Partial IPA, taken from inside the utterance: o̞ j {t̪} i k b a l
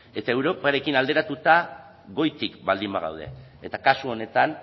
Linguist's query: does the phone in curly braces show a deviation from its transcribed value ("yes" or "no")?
no